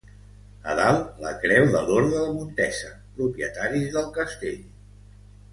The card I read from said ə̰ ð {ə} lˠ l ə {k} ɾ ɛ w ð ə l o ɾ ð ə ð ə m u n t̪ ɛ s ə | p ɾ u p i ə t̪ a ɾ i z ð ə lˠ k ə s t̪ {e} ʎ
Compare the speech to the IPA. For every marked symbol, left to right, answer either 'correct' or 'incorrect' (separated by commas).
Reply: incorrect, correct, correct